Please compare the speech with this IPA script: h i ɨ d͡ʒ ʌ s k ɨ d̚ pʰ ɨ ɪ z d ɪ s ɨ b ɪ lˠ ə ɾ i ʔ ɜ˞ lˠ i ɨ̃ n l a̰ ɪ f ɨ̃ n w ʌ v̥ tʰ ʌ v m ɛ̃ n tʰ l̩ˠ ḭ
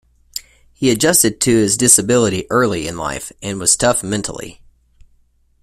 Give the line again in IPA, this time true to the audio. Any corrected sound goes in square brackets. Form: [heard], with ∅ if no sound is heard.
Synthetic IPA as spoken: h i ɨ d͡ʒ ʌ s [t] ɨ d̚ [tʰ] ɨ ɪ z d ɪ s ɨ b ɪ lˠ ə ɾ i ʔ ɜ˞ lˠ i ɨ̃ n l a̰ ɪ f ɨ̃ n w ʌ [z̥] tʰ ʌ [f] m ɛ̃ n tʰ l̩ˠ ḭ